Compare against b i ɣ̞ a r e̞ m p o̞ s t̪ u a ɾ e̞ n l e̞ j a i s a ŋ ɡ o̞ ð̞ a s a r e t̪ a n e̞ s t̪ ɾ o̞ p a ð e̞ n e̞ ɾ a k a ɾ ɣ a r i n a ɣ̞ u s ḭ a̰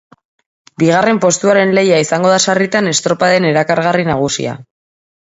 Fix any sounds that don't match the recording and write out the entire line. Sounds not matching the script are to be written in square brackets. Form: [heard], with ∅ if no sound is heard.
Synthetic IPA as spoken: b i ɣ̞ a r e̞ m p o̞ s t̪ u a ɾ e̞ n l e̞ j a i s a ŋ ɡ o̞ ð̞ a s a r [i] t̪ a n e̞ s t̪ ɾ o̞ p a ð e̞ n e̞ ɾ a k a ɾ ɣ a r i n a ɣ̞ u s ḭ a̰

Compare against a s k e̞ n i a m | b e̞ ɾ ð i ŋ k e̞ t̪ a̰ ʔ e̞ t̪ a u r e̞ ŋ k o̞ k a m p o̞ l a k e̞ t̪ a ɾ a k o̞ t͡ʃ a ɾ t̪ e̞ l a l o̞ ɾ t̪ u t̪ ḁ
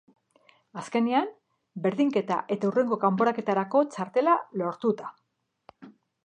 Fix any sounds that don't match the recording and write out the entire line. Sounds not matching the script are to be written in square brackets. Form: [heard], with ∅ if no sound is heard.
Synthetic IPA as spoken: a s k e̞ n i a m | b e̞ ɾ ð i ŋ k e̞ t̪ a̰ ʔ e̞ t̪ a u r e̞ ŋ [ɡ] o̞ k a m p o̞ [ɾ] a k e̞ t̪ a ɾ a k o̞ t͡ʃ a ɾ t̪ e̞ l a l o̞ ɾ t̪ u t̪ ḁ

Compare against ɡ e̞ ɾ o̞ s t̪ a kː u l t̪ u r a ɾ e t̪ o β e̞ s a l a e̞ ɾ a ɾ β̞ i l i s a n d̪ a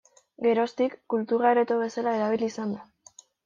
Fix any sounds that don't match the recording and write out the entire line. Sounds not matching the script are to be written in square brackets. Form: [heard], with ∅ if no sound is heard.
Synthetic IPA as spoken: ɡ e̞ ɾ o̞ s t̪ [i] kː u l t̪ u r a ɾ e t̪ o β e̞ s a l a e̞ ɾ a [∅] β̞ i l i s a n d̪ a

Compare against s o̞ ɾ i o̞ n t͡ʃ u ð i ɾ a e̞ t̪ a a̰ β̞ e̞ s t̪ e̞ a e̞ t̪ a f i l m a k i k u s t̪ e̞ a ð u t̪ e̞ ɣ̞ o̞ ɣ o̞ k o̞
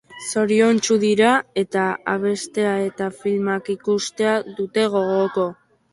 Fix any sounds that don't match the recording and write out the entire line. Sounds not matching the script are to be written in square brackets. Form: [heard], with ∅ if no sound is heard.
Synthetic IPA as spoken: s o̞ ɾ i o̞ n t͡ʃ u ð i ɾ a e̞ t̪ a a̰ β̞ e̞ s t̪ e̞ a e̞ t̪ a f i l m a k i k u s t̪ e̞ a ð u t̪ e̞ ɣ̞ o̞ ɣ o̞ k o̞

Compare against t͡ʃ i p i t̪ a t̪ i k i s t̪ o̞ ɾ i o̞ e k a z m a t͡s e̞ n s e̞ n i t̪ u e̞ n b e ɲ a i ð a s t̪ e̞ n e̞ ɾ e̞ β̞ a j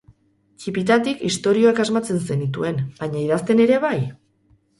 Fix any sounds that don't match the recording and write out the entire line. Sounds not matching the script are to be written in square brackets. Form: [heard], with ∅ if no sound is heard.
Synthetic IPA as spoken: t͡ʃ i p i t̪ a t̪ i k i s t̪ o̞ ɾ i o̞ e k a z m a t͡s e̞ n s e̞ n i t̪ u e̞ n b [a] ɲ a i ð a s t̪ e̞ n e̞ ɾ e̞ β̞ a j

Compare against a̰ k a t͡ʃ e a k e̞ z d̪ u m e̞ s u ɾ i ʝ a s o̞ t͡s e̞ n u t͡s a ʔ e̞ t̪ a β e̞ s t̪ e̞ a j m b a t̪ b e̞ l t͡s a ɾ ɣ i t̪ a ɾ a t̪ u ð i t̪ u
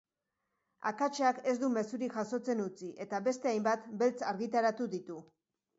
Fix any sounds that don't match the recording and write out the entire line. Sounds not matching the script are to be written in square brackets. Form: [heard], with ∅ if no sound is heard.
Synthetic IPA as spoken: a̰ k a t͡ʃ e a k e̞ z d̪ u m e̞ s u ɾ i ʝ a s o̞ t͡s e̞ n u t͡s [i] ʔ e̞ t̪ a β e̞ s t̪ e̞ a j m b a t̪ b e̞ l t͡s a ɾ ɣ i t̪ a ɾ a t̪ u ð i t̪ u

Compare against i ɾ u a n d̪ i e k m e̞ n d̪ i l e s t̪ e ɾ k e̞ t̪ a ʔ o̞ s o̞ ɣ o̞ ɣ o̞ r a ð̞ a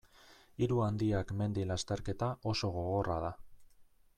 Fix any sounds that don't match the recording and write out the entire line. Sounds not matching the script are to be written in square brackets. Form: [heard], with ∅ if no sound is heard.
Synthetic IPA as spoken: i ɾ u a n d̪ i [a] k m e̞ n d̪ i l [a] s t̪ e ɾ k e̞ t̪ a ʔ o̞ s o̞ ɣ o̞ ɣ o̞ r a ð̞ a

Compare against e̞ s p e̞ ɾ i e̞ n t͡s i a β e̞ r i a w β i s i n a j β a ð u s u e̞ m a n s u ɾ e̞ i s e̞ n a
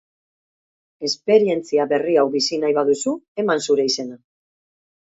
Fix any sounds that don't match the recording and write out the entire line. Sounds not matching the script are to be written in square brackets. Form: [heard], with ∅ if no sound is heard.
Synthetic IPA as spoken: e̞ s p e̞ ɾ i e̞ n t͡s i a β e̞ r i a w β i s i n a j β a ð u s u e̞ m a n s u ɾ e̞ i s e̞ n a

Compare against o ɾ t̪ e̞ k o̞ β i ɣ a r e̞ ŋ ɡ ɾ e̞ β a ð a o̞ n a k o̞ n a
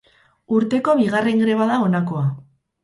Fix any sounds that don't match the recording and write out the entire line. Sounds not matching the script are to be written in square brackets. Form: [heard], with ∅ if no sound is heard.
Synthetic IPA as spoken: [u] ɾ t̪ e̞ k o̞ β i ɣ a r e̞ ŋ ɡ ɾ e̞ β a ð a o̞ n a k o̞ [∅] a

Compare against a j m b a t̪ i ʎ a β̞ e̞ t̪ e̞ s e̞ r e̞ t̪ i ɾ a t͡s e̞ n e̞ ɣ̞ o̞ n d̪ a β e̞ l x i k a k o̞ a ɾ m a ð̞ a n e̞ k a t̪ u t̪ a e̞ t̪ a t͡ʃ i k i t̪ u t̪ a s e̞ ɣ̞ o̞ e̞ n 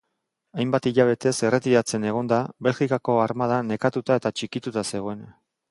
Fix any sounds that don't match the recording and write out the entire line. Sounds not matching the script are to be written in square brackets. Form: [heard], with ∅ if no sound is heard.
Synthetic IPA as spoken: a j m b a t̪ i ʎ a β̞ e̞ t̪ e̞ s e̞ r e̞ t̪ i ɾ a t͡s e̞ n e̞ ɣ̞ o̞ n d̪ a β e̞ l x i k a k o̞ a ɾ m a ð̞ a n e̞ k a t̪ u t̪ a e̞ t̪ a t͡ʃ i k i t̪ u t̪ a s e̞ ɣ̞ o̞ e̞ n

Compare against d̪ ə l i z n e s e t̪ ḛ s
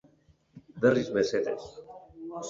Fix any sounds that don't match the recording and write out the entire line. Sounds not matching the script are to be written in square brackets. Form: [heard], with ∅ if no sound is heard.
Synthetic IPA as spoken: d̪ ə [r] i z [m] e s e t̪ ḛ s

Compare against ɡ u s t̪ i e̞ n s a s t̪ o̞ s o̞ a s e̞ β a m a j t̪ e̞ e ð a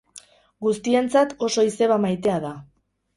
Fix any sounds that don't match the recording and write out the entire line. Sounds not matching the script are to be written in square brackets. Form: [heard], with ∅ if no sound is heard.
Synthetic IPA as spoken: ɡ u s t̪ i e̞ n [t͡s] a [∅] t̪ o̞ s o̞ [i] s e̞ β a m a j t̪ e̞ [a] ð a

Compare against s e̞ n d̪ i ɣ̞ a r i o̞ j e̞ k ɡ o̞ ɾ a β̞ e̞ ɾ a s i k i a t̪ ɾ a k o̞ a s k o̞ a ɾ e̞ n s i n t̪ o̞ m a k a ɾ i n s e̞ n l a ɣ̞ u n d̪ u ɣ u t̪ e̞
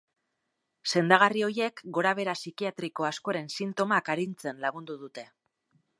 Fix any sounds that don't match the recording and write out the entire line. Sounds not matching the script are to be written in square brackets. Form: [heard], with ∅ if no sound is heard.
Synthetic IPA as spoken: s e̞ n d̪ [a] ɣ̞ a r i o̞ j e̞ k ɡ o̞ ɾ a β̞ e̞ ɾ a s i k i a t̪ ɾ [i] k o̞ a s k o̞ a ɾ e̞ n s i n t̪ o̞ m a k a ɾ i n [t͡s] e̞ n l a ɣ̞ u n d̪ u [ð] u t̪ e̞

